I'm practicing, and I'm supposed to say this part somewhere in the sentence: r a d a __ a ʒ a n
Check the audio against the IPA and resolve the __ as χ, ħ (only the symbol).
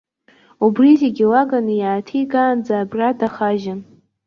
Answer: χ